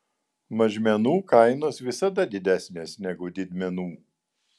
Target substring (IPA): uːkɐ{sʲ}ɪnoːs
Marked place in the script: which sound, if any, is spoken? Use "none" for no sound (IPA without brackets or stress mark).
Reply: none